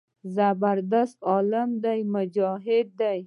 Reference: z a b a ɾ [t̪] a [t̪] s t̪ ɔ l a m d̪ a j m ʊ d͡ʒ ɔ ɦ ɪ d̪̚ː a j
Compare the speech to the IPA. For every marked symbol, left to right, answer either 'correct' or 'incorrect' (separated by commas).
incorrect, incorrect